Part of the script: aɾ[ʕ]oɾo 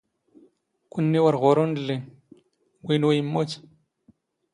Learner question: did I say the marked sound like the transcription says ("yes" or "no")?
no